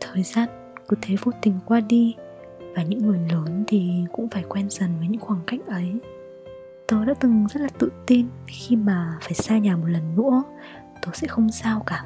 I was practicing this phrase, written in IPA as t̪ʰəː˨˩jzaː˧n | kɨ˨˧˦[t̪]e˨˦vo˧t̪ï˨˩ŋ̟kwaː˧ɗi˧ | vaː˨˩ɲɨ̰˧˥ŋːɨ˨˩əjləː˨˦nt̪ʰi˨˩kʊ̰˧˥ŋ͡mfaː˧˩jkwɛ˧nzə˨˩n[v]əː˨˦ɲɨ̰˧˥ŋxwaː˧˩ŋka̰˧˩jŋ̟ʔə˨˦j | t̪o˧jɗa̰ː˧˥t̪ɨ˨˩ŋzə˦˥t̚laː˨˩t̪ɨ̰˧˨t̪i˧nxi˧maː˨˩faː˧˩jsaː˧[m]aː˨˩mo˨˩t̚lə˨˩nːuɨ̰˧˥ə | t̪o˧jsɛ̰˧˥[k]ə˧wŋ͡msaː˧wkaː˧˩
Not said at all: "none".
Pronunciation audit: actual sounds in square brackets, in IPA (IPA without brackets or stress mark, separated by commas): t̪ʰ, v, ɲ, x